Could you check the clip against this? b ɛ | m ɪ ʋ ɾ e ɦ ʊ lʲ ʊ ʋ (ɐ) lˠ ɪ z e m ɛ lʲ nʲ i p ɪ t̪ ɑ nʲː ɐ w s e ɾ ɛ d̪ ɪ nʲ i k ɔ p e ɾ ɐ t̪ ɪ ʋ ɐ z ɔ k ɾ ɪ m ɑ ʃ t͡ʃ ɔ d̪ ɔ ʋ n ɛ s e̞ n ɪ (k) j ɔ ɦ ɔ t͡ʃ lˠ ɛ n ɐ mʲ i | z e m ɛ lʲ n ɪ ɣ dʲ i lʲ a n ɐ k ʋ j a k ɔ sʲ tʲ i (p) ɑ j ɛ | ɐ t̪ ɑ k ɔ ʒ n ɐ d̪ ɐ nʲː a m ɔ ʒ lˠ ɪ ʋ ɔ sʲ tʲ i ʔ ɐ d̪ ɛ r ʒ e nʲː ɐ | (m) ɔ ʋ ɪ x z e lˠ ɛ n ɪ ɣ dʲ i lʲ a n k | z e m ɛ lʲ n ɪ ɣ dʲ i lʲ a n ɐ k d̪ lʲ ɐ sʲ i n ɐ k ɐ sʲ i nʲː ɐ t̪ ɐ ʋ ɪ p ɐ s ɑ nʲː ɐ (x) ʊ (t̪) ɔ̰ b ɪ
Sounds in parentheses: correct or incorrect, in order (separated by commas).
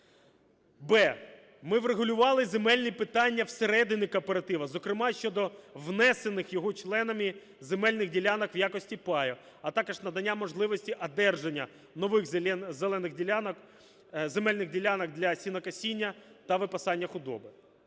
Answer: incorrect, incorrect, correct, incorrect, correct, incorrect